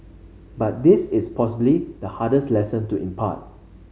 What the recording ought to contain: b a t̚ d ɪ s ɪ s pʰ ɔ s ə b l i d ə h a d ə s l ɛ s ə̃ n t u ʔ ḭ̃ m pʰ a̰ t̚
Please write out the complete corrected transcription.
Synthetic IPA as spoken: b a t̚ d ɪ s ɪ s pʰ ɔ s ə b l i d ə h a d ə s l ɛ s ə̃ n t u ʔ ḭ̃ m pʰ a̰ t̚